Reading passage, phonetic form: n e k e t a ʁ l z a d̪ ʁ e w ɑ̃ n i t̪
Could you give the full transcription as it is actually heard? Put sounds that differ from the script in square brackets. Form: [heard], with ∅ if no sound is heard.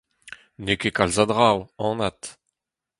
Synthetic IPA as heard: n e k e [k] a [∅] l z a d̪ ʁ [a] w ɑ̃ n [a] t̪